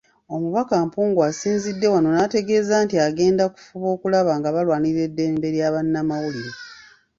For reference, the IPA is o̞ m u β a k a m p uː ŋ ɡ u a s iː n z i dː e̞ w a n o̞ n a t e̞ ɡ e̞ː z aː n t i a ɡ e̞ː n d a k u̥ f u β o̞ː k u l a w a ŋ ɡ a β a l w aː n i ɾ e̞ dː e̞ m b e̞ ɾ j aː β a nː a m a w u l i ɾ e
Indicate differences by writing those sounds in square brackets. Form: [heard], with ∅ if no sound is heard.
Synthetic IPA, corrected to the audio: o̞ m u β a k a m p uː ŋ ɡ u a s iː n z i dː e̞ w a n o̞ n a t e̞ ɡ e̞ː z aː n t i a ɡ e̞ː n d a k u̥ f u β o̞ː k u l a [β] a ŋ ɡ a β a l w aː n i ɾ e̞ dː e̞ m b e̞ ɾ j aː β a nː a m a w u l i ɾ e